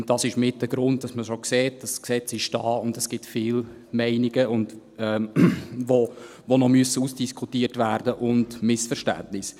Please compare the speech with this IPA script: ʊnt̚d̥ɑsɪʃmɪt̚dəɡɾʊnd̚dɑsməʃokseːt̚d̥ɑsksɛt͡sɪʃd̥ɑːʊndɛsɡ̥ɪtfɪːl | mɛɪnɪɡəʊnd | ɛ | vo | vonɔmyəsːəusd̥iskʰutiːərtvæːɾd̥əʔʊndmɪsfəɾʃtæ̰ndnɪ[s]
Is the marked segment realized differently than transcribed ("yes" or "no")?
no